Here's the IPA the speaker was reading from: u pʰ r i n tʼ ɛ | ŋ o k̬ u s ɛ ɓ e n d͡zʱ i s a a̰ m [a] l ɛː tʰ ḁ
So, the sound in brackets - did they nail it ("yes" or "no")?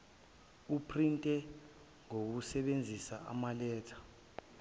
yes